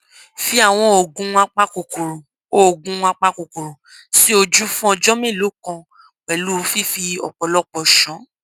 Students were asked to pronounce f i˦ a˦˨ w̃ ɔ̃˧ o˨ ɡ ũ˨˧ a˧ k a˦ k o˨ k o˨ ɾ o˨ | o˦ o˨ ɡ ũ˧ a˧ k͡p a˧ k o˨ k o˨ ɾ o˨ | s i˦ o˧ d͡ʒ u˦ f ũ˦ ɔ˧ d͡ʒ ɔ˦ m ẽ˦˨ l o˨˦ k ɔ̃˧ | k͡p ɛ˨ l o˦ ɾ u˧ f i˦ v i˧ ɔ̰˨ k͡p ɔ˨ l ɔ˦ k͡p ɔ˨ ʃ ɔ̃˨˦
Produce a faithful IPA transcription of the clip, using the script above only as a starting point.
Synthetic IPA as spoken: f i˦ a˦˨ w̃ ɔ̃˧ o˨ ɡ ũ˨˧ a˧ k͡p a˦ k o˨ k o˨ ɾ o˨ | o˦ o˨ ɡ ũ˧ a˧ k͡p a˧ k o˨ k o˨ ɾ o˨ | s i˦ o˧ d͡ʒ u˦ f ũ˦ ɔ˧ d͡ʒ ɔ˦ m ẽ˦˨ l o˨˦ k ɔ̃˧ | k͡p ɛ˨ l u˦ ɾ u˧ f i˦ f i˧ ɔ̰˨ k͡p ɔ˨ l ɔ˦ k͡p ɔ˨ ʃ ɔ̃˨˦

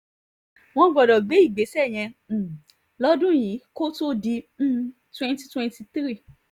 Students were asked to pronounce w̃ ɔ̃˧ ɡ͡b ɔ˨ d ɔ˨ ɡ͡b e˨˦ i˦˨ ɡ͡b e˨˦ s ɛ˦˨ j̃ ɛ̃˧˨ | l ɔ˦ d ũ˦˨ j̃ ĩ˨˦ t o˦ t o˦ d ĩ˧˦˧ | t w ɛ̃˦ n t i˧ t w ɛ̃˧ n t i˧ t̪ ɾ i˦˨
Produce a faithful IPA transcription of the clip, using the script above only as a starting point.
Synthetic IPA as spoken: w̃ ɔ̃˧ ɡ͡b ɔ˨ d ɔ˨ ɡ͡b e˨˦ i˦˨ ɡ͡b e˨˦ s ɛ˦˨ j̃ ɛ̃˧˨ | l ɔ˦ d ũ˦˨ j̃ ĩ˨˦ k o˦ t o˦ d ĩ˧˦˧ | t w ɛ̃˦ n t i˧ t w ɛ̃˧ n t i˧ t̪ ɾ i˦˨

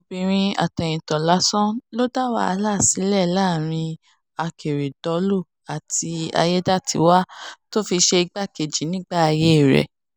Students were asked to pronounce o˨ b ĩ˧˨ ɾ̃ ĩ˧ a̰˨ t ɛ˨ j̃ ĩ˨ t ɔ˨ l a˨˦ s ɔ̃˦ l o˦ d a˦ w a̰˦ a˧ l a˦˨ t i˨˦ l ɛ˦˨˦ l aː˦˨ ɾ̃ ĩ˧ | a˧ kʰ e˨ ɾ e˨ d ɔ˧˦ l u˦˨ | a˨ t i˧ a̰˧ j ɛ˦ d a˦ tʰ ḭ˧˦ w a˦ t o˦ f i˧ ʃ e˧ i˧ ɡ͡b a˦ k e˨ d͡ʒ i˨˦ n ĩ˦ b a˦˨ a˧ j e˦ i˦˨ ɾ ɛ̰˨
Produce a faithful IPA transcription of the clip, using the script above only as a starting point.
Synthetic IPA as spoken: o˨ b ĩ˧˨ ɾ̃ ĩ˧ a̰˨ t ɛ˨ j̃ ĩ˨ t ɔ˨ l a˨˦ s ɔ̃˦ l o˦ d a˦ w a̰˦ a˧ l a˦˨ s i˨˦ l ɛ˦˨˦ l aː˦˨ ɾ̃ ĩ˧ | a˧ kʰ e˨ ɾ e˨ d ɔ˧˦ l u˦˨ | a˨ t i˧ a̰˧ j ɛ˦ d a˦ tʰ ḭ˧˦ w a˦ t o˦ f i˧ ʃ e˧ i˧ ɡ͡b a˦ k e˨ d͡ʒ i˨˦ n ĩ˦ ɡ͡b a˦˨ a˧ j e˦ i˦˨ ɾ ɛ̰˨

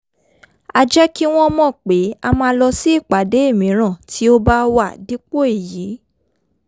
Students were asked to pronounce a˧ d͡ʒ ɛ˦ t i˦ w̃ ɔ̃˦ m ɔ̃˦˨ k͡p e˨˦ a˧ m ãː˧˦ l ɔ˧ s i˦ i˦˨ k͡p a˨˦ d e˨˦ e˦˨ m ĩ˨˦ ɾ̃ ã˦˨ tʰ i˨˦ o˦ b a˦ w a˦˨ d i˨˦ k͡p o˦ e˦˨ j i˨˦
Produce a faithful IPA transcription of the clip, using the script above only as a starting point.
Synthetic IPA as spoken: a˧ d͡ʒ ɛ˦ k i˦ w̃ ɔ̃˦ m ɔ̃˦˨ k͡p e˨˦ a˧ m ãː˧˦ l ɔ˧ s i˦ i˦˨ k͡p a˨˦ d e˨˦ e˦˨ m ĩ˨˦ ɾ̃ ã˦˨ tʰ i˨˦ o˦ b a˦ w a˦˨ d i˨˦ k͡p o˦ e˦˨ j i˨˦

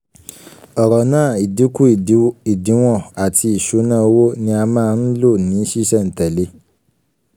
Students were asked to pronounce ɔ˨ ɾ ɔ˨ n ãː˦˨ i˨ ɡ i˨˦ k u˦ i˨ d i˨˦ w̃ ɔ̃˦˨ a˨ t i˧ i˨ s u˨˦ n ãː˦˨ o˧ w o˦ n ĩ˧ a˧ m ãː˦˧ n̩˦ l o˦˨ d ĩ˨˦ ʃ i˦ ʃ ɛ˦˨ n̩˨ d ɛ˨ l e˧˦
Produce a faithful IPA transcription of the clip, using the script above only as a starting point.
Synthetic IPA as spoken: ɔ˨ ɾ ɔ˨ n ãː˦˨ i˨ d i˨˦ k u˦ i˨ d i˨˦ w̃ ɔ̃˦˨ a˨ t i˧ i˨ ʃ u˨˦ n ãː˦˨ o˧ w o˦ n ĩ˧ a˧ m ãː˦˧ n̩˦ l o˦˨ n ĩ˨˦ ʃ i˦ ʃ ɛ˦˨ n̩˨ t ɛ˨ l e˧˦

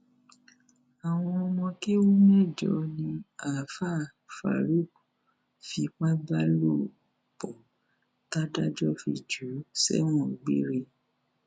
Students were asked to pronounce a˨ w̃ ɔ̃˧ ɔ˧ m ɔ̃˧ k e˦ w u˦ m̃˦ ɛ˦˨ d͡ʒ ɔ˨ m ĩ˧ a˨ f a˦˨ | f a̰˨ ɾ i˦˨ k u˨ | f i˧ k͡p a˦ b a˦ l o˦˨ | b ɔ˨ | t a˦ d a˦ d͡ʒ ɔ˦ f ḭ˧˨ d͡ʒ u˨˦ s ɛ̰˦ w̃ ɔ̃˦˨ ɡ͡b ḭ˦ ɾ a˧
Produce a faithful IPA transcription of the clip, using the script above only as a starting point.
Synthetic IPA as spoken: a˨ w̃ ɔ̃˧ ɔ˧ m ɔ̃˧ k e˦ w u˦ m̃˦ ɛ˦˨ d͡ʒ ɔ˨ n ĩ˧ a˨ f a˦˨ | f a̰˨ ɾ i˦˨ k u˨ | f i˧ k͡p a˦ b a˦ l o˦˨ | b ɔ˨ | t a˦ d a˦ d͡ʒ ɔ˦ f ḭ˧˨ d͡ʒ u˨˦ s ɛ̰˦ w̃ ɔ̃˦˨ ɡ͡b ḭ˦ ɾ e˧

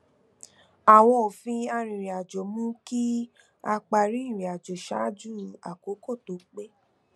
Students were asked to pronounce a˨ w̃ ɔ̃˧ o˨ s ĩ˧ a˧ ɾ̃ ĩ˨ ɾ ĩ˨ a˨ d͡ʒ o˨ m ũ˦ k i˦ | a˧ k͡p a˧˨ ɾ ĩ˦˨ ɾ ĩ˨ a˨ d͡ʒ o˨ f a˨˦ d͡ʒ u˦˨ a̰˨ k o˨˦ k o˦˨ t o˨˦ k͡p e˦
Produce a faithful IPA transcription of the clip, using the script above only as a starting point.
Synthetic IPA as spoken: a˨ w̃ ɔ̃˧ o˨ f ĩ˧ a˧ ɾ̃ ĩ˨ ɾ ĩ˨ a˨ d͡ʒ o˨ m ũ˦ k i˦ | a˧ k͡p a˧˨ ɾ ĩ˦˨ ɾ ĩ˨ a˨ d͡ʒ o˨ ʃ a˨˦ d͡ʒ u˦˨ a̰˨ k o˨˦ k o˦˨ t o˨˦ k͡p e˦

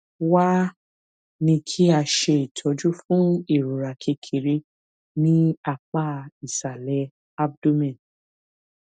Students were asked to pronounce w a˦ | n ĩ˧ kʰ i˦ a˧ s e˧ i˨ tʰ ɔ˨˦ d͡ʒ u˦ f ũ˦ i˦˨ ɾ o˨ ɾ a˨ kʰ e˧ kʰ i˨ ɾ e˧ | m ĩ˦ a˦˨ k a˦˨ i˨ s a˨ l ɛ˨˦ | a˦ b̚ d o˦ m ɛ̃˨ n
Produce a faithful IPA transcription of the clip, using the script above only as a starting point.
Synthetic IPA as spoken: w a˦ | n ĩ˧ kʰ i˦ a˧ ʃ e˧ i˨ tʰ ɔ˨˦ d͡ʒ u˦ f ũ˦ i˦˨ ɾ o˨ ɾ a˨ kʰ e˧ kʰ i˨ ɾ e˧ | n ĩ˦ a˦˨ k͡p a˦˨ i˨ s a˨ l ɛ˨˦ | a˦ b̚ d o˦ m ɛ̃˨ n

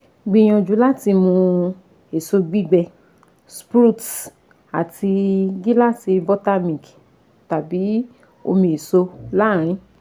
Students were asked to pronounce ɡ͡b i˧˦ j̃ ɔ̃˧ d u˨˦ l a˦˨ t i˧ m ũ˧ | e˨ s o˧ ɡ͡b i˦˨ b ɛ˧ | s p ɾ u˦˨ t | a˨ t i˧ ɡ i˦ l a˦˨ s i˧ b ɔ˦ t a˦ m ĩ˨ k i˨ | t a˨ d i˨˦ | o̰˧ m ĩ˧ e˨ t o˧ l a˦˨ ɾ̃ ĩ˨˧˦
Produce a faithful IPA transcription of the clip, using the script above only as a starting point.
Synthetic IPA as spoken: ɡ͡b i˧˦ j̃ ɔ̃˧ d͡ʒ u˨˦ l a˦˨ t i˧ m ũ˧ | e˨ s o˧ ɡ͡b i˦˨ ɡ͡b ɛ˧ | s p ɾ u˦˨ t | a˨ t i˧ ɡ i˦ l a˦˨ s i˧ b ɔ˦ t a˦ m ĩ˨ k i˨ | t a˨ b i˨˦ | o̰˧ m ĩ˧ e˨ s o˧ l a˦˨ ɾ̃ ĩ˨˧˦

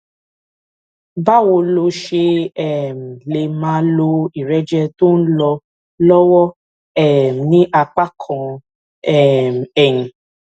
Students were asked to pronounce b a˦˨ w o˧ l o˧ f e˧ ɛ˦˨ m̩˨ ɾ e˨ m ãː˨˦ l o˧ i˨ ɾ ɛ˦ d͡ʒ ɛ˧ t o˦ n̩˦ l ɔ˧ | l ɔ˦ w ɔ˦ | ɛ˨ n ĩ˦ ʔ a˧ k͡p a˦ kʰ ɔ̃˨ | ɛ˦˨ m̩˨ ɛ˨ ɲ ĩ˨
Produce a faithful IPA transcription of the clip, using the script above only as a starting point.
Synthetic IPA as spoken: b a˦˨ w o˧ l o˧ ʃ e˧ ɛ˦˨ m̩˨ l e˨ m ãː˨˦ l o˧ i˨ ɾ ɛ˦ d͡ʒ ɛ˧ t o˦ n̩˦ l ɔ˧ | l ɔ˦ w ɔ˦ | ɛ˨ n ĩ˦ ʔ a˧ k͡p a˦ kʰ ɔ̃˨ | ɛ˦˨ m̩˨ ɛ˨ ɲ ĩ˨

